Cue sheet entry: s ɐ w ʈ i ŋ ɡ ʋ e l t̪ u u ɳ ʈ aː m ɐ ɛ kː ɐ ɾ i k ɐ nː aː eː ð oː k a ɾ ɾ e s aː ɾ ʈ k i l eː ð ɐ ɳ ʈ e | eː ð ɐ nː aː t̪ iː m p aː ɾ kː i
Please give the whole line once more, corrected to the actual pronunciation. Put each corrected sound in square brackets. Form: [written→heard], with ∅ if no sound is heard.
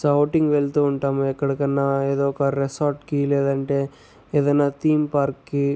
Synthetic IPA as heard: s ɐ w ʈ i ŋ ɡ ʋ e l t̪ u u ɳ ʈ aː m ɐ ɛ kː ɐ [ɾ→ɽ] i k ɐ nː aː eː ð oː k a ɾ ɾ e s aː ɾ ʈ k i l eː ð ɐ ɳ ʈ e | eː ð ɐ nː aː t̪ iː m p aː ɾ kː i